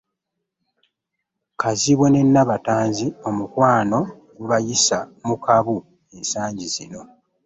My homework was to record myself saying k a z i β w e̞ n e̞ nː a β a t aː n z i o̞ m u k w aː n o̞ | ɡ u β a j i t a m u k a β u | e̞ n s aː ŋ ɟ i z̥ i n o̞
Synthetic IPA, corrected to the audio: k a z i β w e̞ n e̞ nː a β a t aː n z i o̞ m u k w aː n o̞ | ɡ u β a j i s a m u k a β u | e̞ n s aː ɲ ɟ i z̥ i n o̞